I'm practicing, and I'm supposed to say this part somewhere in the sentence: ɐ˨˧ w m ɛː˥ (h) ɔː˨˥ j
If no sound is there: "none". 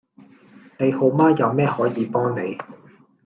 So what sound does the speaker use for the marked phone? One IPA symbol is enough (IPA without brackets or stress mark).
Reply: h